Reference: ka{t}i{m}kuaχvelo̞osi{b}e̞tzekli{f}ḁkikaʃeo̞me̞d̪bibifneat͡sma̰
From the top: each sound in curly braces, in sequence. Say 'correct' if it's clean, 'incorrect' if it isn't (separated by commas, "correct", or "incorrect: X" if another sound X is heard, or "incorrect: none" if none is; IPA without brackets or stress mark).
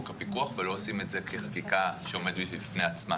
incorrect: p, incorrect: none, incorrect: m, incorrect: χ